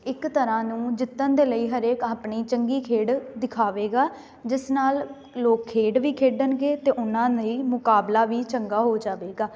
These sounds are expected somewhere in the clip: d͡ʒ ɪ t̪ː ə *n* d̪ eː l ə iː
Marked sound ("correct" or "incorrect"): correct